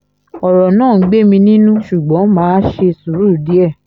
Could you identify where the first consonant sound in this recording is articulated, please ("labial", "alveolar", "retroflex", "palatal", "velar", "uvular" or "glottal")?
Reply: alveolar